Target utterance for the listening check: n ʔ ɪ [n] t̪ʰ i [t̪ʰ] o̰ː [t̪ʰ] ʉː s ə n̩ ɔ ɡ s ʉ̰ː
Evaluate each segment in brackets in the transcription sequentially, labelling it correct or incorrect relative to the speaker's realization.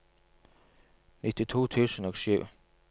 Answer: incorrect, correct, correct

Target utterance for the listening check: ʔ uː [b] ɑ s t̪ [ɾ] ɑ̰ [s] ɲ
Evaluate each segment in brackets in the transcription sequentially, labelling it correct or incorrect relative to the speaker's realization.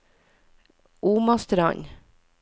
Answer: incorrect, correct, incorrect

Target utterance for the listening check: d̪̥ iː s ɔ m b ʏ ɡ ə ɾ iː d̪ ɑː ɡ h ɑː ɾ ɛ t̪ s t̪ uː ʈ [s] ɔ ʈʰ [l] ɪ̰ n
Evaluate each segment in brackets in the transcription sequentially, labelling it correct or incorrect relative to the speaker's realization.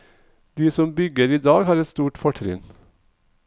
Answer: incorrect, incorrect

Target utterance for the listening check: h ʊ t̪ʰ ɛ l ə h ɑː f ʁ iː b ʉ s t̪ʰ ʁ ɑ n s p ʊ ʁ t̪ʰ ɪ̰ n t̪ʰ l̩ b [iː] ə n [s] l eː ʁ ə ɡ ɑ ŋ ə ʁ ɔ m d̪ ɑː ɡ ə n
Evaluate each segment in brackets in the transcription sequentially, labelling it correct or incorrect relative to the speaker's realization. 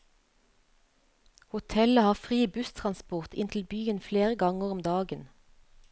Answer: incorrect, incorrect

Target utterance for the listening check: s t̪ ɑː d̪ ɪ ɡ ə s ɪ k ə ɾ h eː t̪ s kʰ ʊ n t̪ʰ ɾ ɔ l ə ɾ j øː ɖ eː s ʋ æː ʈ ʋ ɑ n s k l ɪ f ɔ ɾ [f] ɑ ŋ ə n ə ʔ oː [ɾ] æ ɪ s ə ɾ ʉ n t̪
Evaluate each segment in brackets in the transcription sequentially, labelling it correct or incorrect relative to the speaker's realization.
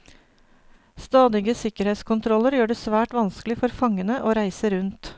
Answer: correct, correct

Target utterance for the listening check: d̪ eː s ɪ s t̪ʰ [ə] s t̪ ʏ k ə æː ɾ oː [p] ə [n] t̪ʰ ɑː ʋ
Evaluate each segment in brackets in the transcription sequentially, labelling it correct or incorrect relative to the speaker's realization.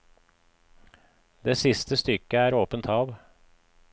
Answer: correct, correct, correct

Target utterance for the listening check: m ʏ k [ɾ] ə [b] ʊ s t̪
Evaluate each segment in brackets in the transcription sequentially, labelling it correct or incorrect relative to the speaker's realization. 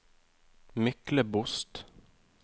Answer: incorrect, correct

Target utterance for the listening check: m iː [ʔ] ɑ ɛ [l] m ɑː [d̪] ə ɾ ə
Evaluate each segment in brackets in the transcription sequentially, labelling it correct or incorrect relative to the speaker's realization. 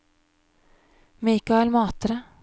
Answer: incorrect, correct, incorrect

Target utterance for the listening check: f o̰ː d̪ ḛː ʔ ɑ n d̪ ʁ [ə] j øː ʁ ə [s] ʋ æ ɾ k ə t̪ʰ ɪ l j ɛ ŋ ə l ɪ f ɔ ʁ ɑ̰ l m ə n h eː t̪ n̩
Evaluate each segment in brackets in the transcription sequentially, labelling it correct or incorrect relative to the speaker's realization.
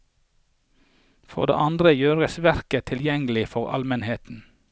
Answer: correct, correct

